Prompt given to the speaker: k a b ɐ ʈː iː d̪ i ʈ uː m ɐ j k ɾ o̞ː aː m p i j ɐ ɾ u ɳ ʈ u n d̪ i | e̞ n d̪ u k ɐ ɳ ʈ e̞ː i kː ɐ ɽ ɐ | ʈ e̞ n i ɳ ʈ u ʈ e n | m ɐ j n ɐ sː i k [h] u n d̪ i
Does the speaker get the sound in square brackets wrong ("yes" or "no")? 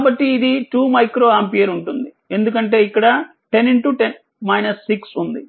yes